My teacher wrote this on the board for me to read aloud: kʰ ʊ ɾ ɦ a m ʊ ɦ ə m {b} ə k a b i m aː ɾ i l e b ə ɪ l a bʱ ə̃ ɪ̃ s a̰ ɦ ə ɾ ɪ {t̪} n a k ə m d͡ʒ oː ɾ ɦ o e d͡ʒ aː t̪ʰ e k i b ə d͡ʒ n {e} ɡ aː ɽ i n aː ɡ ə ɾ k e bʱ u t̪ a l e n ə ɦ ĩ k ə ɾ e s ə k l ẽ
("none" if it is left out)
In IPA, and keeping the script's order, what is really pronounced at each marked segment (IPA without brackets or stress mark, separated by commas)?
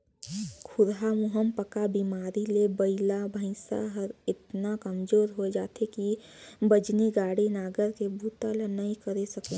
p, t̪, i